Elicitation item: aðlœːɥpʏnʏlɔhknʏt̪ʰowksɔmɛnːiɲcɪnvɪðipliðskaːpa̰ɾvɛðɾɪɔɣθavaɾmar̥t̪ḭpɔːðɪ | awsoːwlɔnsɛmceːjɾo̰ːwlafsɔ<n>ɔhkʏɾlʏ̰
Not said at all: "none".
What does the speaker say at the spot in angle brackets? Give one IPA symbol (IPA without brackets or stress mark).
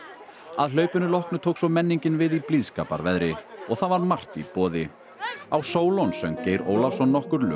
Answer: nː